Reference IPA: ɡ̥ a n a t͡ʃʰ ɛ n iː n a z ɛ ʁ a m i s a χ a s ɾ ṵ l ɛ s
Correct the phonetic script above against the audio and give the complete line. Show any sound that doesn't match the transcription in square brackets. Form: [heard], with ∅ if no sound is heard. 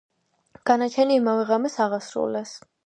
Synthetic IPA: ɡ̥ a n a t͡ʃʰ ɛ n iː [m] a [v] ɛ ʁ a m [ɛ] s a [ʁ] a s ɾ ṵ l ɛ s